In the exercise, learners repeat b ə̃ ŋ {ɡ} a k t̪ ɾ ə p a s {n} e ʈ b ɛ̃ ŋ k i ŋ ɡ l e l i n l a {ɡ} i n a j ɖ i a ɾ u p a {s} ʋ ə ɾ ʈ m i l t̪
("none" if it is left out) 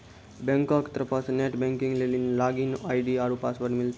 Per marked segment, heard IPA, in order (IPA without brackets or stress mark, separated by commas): k, n, ɡ, s